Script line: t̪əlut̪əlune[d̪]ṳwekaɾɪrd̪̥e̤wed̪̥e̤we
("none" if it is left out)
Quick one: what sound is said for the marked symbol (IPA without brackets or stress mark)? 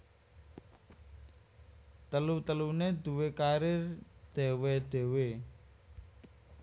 d̪